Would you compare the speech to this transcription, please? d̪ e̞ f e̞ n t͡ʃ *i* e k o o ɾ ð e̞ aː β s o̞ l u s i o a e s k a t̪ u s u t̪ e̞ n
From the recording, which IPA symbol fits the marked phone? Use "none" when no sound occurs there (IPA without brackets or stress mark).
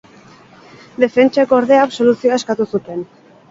a